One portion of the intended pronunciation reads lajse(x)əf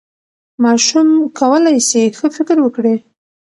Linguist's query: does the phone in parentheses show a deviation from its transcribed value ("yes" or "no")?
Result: no